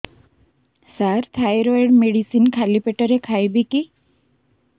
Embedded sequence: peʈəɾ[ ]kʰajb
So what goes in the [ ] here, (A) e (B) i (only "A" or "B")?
A